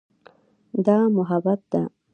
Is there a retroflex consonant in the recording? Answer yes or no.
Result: no